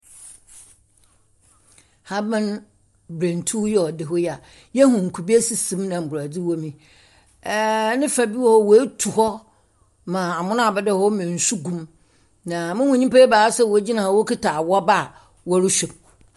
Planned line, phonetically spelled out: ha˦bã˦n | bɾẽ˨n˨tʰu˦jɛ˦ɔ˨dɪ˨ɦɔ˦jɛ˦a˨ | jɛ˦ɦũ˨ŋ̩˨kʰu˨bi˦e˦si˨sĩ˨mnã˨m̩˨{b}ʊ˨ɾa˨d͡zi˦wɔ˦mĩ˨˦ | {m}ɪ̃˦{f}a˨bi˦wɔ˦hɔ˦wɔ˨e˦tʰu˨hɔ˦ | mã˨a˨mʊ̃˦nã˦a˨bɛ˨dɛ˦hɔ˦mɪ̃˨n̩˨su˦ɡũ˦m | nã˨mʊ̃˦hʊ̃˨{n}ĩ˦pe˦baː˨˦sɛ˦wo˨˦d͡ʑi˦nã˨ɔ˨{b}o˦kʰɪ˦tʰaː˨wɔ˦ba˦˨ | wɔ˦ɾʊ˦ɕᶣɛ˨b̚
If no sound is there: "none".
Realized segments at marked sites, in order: b, n, f, ɲ, w

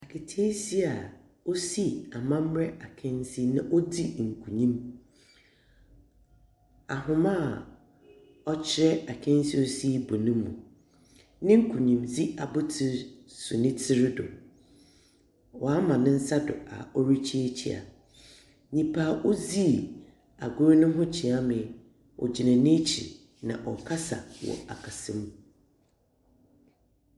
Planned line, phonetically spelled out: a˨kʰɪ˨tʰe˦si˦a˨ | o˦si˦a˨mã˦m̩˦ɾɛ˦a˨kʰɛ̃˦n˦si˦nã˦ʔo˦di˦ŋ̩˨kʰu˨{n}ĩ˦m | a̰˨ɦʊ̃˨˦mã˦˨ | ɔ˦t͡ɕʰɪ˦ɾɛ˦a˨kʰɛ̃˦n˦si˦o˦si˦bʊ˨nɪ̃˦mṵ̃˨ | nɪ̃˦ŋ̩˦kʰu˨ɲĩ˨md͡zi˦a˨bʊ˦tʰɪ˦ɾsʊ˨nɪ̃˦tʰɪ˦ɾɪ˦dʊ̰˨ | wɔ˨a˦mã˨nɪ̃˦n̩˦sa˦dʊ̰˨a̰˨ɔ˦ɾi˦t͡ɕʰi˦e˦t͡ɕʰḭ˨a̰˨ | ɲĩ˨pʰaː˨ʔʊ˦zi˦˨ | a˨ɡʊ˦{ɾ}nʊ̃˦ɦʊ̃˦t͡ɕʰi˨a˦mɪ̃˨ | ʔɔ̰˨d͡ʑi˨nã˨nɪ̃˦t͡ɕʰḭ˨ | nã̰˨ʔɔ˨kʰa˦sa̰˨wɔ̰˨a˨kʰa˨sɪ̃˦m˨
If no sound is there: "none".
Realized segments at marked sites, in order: ɲ, ɾ

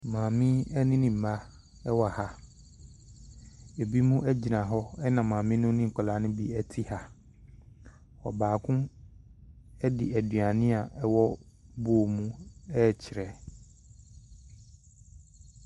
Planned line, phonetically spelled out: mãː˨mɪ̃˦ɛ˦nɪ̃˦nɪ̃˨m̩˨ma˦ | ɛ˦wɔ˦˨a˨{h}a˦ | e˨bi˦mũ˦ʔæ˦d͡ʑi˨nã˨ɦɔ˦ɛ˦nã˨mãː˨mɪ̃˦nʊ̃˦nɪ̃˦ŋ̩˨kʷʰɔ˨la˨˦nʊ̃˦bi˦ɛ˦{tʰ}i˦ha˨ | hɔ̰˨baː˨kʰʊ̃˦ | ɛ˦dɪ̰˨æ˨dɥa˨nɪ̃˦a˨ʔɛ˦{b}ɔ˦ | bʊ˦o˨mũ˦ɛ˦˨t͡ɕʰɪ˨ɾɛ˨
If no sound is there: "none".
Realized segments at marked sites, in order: h, tʰ, w

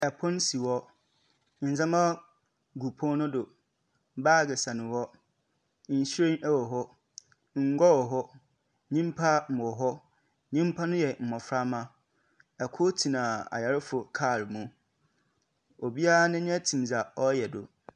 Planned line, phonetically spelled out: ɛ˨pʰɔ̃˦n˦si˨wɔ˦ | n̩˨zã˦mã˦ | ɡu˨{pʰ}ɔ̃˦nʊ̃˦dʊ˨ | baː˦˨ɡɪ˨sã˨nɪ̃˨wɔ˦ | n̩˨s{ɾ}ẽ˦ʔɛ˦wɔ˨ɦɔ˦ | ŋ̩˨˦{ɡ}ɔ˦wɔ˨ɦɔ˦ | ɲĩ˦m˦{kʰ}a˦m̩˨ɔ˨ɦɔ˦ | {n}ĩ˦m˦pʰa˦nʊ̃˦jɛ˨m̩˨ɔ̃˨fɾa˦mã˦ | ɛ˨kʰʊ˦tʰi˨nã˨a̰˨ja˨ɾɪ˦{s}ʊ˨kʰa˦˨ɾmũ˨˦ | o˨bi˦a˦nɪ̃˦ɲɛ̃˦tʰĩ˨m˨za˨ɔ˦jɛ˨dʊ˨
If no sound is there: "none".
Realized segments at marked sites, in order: pʰ, ɾ, ɡ, pʰ, ɲ, f

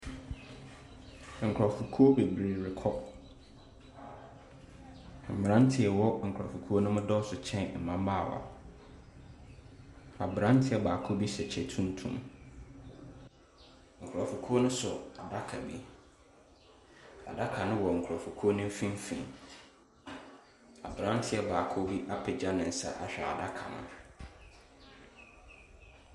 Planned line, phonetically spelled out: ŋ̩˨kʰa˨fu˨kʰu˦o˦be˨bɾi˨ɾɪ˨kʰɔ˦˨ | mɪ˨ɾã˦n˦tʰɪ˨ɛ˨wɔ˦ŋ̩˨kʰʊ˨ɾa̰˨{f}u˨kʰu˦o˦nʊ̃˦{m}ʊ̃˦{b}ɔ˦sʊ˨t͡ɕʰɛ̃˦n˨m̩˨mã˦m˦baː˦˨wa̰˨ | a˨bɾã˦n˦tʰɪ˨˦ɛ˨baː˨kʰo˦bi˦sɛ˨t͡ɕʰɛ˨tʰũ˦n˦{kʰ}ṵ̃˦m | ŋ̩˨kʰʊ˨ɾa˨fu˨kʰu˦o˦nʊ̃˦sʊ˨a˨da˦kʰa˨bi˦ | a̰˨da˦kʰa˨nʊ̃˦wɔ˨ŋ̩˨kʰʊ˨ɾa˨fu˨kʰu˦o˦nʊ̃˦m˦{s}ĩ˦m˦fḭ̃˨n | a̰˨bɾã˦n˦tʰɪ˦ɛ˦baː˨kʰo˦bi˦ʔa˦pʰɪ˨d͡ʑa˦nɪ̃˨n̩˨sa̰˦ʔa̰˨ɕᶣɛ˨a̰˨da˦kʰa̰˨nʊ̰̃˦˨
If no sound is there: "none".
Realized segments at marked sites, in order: f, m, d, tʰ, f

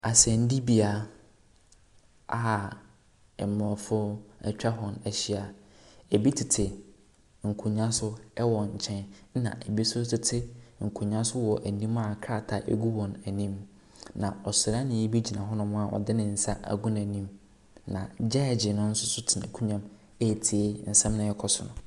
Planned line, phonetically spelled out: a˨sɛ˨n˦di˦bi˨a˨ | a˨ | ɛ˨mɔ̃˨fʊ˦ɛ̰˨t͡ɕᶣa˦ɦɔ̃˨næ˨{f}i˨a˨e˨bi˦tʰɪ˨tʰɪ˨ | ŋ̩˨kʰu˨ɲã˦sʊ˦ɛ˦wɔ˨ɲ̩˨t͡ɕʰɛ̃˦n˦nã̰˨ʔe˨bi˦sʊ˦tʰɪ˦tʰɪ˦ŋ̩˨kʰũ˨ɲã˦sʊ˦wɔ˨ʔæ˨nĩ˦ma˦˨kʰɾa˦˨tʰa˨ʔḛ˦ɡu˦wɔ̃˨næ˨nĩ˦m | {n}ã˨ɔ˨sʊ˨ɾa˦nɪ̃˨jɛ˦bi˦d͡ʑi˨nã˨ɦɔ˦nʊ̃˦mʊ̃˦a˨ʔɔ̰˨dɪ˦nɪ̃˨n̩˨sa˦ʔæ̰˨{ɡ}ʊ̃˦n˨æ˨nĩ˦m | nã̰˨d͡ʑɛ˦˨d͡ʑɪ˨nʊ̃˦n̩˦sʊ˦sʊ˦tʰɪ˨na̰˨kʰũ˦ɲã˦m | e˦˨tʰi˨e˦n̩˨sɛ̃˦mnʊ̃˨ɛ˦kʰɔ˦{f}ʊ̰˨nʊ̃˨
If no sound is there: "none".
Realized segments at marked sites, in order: ɕ, n, ɡ, s

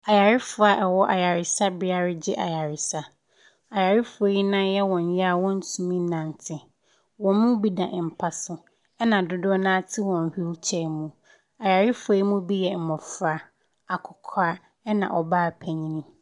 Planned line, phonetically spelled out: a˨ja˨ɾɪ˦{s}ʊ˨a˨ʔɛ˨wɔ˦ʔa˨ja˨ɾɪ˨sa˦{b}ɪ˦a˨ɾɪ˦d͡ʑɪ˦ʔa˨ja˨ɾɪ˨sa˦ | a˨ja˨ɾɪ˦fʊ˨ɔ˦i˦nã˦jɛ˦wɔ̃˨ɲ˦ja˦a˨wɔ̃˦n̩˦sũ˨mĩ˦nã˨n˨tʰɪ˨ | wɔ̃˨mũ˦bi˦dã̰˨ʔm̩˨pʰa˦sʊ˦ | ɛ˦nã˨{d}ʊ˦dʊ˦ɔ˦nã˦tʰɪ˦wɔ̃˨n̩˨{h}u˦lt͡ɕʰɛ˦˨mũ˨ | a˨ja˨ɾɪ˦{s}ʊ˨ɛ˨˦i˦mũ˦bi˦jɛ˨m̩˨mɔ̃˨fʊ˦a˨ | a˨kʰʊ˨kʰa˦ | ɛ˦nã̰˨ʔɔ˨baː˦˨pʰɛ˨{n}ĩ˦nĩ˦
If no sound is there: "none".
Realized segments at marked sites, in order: f, b, d, h, f, ɲ

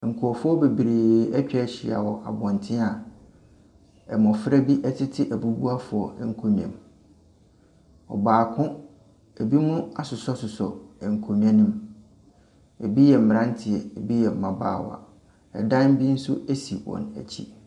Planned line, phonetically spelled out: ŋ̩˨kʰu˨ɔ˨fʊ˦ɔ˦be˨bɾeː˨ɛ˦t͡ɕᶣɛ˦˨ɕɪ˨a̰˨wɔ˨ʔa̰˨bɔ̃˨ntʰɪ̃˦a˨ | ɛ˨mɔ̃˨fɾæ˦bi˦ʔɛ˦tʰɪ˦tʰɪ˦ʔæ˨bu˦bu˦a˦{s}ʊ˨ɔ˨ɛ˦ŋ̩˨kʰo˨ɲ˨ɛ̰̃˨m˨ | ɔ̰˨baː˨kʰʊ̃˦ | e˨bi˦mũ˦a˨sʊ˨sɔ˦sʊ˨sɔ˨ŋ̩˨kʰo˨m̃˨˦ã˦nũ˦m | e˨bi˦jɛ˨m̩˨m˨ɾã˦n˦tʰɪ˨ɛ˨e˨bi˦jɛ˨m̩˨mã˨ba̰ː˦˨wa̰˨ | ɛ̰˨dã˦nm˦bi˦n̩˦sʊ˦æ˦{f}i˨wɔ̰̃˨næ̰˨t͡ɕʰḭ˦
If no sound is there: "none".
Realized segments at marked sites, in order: f, s

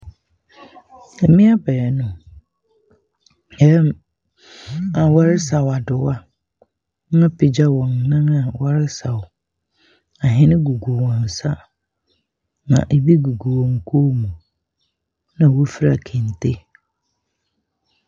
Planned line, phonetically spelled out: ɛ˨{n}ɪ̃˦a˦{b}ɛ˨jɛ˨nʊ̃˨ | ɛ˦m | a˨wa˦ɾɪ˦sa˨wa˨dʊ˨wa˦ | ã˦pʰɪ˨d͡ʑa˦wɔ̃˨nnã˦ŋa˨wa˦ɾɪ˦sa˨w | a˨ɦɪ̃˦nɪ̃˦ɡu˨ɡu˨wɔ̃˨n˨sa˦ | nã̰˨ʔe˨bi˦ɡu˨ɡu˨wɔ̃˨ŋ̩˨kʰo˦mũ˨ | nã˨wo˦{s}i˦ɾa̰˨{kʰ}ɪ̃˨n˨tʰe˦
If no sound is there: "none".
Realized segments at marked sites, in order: m, b, f, kʰ

